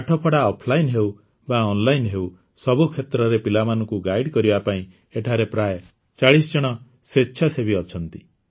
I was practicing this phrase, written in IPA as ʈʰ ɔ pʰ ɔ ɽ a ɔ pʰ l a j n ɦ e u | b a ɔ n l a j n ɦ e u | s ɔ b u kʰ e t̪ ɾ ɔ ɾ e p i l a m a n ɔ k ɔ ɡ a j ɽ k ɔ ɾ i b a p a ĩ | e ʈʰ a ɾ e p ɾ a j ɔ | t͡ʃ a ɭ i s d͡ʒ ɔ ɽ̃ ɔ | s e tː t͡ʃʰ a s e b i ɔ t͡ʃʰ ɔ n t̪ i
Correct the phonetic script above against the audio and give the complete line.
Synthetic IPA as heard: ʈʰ ɔ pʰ ɔ ɽ a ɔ pʰ l a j n ɦ e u | b a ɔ n l a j n ɦ e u | s ɔ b u kʰ e t̪ ɾ ɔ ɾ e p i l a m a n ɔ k u ɡ a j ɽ k ɔ ɾ i b a p a ĩ | e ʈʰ a ɾ e p ɾ a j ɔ | t͡ʃ a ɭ i s d͡ʒ ɔ ɽ̃ ɔ | s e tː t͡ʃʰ a s e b i ɔ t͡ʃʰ ɔ n t̪ i